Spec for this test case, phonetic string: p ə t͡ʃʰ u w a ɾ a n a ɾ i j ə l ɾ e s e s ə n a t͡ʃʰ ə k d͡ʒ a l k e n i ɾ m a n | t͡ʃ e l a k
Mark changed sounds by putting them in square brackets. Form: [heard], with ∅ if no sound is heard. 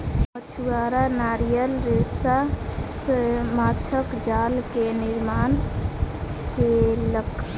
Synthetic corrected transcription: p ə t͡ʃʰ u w a ɾ a n a ɾ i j ə l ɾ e s [a] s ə [m] a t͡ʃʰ ə k d͡ʒ a l k e n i ɾ m a n | t͡ʃ e l [ə] k